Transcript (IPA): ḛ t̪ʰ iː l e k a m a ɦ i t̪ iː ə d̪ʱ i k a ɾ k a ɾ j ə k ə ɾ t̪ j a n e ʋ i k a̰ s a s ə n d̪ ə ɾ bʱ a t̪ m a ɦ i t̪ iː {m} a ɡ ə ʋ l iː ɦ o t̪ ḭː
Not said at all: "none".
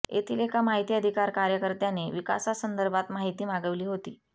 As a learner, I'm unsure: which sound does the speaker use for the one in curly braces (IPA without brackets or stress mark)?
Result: m